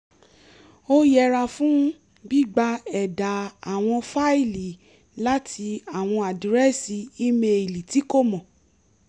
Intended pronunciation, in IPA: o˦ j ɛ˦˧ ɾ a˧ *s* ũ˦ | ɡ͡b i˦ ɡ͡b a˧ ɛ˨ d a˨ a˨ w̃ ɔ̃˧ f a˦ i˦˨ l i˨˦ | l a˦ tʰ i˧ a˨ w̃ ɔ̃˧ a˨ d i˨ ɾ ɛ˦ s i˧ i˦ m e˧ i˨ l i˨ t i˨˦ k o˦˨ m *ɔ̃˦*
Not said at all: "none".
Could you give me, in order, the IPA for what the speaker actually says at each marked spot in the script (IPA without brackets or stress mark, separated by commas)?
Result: f, ɔ̃˨